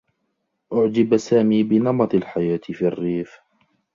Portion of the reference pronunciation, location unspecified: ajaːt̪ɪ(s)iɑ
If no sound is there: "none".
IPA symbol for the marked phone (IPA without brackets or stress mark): f